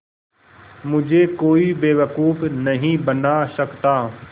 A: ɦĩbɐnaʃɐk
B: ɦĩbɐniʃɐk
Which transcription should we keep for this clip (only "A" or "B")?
A